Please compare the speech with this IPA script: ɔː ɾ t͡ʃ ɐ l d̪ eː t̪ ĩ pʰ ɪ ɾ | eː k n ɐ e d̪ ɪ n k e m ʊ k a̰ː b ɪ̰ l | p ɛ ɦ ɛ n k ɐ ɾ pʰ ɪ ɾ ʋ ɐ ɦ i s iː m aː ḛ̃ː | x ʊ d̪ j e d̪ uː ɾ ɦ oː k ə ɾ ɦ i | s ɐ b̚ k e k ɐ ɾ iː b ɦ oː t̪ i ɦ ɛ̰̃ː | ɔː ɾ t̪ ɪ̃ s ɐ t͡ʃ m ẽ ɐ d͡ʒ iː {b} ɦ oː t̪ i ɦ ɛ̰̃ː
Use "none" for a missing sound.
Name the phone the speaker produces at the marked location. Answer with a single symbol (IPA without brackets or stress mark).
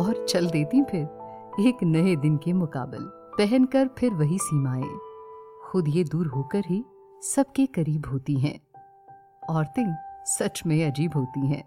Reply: b